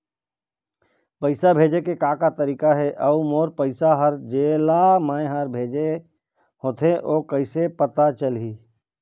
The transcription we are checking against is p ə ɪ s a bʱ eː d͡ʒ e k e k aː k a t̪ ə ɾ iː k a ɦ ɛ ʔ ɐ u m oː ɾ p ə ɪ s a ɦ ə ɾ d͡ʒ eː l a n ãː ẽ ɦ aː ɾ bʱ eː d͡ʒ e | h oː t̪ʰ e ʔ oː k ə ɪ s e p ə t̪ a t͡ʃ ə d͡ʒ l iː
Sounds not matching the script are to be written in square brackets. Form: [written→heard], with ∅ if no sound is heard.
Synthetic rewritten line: p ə ɪ s a bʱ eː d͡ʒ e k e k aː k a t̪ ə ɾ iː k a ɦ ɛ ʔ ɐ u m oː ɾ p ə ɪ s a ɦ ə ɾ d͡ʒ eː l a [n→m] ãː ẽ ɦ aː ɾ bʱ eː d͡ʒ e | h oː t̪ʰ e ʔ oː k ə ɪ s e p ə t̪ a t͡ʃ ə [d͡ʒ→∅] l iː